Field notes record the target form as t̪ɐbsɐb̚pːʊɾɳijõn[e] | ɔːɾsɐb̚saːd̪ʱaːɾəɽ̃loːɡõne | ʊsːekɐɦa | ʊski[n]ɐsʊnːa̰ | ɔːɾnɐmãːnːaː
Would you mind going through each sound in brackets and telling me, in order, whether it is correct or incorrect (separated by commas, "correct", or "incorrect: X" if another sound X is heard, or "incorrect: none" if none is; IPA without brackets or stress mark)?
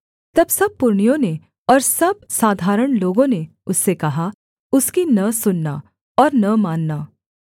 correct, correct